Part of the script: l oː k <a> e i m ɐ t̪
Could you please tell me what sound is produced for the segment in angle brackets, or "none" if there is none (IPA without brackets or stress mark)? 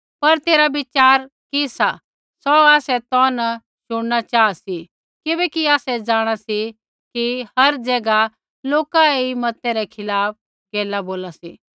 a